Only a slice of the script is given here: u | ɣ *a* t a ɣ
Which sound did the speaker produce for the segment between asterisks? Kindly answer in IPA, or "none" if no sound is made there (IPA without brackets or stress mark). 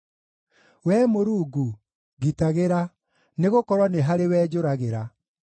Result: i